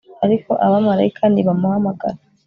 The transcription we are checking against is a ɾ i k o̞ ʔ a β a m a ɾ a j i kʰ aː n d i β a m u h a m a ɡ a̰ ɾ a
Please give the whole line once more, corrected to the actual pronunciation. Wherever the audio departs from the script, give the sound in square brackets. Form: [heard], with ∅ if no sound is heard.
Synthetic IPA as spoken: a ɾ i k o̞ ʔ a β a m a ɾ a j i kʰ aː n d i β a m u h a m a ɡ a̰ ɾ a